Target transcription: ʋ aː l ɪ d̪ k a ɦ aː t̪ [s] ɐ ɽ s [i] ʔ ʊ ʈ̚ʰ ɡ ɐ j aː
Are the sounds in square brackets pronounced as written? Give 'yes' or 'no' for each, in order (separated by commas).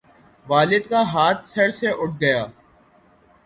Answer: yes, no